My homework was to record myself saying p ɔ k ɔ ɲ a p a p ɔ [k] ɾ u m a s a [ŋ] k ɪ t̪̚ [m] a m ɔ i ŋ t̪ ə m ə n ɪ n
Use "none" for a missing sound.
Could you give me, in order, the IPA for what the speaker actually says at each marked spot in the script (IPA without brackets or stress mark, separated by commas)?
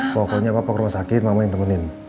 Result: k, none, m